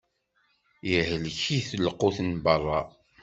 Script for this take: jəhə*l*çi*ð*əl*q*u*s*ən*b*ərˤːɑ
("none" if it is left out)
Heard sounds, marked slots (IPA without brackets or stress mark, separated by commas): l, θ, q, θ, b